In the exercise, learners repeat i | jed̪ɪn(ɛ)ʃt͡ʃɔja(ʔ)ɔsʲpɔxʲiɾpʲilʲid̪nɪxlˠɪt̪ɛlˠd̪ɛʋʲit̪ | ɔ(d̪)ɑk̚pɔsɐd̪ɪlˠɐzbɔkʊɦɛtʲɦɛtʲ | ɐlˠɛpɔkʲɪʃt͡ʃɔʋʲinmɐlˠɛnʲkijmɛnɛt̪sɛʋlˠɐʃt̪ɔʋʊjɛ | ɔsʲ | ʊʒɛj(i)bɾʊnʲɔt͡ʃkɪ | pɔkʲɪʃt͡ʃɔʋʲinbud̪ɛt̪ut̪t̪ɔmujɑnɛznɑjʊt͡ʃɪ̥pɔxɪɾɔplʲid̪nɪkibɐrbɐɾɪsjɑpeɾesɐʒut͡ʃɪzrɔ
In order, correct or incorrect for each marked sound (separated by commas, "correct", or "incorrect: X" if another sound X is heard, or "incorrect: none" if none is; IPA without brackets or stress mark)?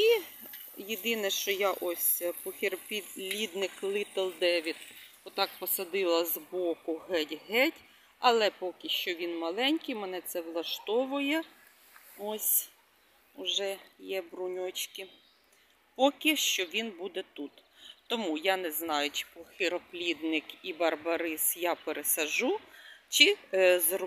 correct, correct, incorrect: t̪, incorrect: ɛ